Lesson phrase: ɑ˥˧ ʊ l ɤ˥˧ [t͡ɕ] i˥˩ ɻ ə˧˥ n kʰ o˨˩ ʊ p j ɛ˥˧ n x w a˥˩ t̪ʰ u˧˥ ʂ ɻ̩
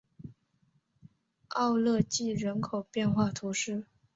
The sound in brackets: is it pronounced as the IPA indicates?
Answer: yes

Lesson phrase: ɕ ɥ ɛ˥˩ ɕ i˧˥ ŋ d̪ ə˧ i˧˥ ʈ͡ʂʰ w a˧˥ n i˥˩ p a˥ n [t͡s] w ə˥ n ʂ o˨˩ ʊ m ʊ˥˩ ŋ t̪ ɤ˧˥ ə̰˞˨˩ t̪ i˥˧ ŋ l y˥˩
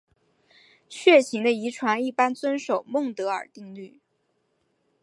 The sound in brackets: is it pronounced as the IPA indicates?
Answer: yes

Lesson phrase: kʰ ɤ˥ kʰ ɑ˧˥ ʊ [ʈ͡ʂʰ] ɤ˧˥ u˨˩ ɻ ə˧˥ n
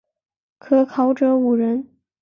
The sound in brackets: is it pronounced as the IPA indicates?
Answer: no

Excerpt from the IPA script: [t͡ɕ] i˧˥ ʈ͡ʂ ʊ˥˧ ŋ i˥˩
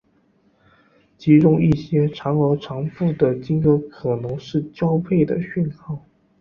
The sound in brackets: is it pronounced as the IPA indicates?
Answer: yes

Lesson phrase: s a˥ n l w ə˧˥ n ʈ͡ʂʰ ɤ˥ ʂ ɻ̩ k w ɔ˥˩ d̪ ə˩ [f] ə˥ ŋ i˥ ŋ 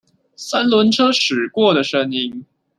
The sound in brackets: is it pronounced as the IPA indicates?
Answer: no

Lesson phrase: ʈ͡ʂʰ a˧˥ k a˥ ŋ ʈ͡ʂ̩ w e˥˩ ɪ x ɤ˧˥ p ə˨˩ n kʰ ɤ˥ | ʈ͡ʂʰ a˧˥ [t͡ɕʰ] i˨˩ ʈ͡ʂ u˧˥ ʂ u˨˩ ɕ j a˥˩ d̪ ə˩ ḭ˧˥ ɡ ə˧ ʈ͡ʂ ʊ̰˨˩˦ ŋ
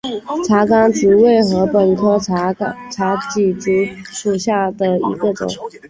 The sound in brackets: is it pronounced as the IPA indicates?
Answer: no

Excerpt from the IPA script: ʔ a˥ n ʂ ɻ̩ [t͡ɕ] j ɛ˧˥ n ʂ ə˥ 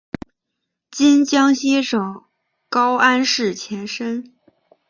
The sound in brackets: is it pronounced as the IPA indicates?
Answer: no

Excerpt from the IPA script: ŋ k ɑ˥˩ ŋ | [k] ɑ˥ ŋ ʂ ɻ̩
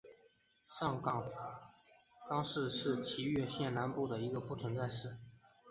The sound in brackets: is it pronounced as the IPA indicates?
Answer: yes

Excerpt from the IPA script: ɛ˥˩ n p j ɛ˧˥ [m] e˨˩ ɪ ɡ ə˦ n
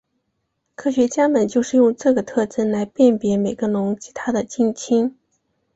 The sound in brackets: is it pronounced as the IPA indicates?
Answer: yes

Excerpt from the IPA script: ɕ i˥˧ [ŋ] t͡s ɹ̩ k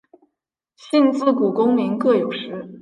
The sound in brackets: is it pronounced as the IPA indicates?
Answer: no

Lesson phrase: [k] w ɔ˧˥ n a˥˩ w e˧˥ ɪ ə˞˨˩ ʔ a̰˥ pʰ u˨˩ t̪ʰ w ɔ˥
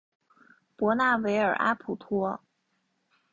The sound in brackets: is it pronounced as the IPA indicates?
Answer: no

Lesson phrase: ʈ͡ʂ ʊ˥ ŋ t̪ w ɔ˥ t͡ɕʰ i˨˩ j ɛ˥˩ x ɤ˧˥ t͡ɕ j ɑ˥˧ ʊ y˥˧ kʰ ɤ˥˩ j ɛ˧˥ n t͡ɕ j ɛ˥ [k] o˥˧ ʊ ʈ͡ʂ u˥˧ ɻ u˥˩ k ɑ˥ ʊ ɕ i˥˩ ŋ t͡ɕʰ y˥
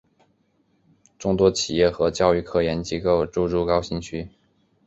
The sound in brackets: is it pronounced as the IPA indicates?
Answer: yes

